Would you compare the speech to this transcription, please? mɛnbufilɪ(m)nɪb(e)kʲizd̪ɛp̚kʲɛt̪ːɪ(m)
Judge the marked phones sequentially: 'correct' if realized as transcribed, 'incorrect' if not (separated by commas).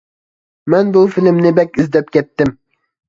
correct, incorrect, correct